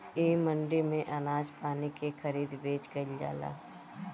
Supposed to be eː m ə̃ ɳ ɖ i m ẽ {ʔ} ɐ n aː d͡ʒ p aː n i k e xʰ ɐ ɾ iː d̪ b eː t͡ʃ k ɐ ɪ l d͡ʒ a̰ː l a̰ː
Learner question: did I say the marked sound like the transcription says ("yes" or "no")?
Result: yes